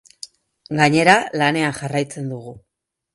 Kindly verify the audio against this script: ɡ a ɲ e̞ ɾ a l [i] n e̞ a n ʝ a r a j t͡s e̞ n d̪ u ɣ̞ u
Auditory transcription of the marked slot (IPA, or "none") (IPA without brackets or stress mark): a